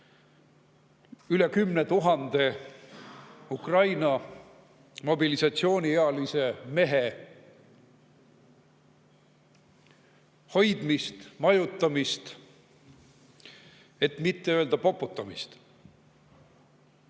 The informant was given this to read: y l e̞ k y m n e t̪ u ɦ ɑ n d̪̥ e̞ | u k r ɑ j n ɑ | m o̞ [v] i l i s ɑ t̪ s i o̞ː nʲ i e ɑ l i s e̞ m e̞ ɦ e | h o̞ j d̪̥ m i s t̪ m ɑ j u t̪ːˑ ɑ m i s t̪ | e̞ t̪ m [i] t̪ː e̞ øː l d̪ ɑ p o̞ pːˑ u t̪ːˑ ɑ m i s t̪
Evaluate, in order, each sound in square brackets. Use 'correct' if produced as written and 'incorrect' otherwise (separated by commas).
incorrect, correct